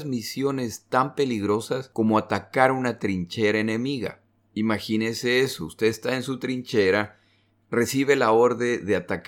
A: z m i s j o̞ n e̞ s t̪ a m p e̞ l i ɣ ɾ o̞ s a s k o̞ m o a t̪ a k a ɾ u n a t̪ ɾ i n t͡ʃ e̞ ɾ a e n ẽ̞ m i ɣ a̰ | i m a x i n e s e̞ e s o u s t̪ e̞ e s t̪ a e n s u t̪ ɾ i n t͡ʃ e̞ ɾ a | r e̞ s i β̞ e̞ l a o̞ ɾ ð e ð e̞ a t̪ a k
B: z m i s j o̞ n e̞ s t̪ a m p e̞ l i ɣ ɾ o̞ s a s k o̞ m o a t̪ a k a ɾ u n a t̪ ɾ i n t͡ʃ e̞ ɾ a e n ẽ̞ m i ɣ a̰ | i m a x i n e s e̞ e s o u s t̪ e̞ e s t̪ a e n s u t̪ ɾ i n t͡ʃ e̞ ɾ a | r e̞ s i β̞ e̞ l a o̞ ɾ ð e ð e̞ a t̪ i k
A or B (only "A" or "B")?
A